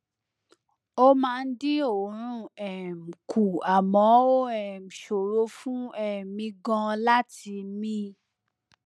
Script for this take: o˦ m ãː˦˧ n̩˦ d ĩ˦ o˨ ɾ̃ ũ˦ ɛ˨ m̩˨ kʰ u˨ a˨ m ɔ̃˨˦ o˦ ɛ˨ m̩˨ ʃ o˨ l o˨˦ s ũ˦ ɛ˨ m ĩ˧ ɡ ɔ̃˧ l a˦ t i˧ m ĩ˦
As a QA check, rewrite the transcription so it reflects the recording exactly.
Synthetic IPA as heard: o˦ m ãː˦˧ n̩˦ d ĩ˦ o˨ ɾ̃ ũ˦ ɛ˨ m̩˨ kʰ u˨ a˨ m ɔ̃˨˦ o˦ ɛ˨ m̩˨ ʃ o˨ ɾ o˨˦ f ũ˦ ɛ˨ m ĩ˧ ɡ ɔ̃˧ l a˦ t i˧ m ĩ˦